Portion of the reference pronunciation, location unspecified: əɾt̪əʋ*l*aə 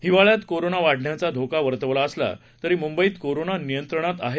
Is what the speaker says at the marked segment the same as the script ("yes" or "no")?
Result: yes